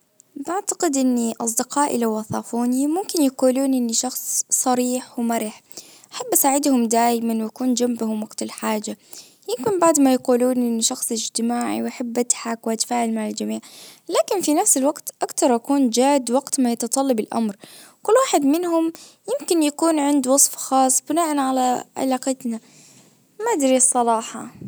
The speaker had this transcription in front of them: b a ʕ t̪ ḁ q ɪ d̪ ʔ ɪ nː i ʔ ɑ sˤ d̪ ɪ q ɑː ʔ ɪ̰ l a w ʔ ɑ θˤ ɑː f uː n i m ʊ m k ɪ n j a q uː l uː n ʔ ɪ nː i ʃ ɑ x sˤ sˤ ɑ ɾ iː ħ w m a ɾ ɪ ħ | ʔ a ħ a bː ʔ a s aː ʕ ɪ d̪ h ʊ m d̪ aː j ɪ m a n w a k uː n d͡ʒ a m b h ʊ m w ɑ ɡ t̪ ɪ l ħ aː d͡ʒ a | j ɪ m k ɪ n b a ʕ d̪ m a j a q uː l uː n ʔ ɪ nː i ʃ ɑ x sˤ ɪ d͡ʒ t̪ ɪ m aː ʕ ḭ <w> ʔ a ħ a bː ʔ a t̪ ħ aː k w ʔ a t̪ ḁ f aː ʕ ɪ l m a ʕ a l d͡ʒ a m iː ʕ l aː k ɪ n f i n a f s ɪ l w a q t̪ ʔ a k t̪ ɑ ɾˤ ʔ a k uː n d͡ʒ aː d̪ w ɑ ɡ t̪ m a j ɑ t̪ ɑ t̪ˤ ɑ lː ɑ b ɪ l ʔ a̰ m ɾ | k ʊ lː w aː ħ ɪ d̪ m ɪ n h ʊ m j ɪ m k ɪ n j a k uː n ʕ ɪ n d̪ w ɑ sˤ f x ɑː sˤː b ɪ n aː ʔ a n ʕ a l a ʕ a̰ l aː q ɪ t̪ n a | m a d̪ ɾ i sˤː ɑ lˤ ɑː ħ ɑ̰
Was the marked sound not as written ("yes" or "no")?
no